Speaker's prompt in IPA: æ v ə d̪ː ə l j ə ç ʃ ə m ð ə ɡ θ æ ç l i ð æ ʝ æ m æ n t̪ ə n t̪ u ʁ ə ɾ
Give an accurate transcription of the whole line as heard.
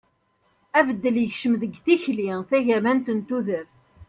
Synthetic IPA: æ v ə d̪ː ə l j ə ç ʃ ə m ð ə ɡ θ i ç l i θ æ ʝ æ m æ n t̪ ə n t̪ u ð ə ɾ